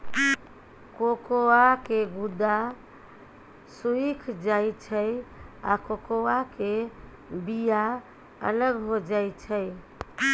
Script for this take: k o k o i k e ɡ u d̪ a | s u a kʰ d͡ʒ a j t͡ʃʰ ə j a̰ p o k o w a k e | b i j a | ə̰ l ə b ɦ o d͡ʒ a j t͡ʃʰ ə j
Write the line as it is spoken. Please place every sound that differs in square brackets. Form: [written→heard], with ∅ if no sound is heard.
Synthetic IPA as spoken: k o k o [i→a] k e ɡ u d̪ a | s u [a→i] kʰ d͡ʒ a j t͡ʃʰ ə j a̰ [p→k] o k o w a k e | b i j a | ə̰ l ə [b→ɡ] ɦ o d͡ʒ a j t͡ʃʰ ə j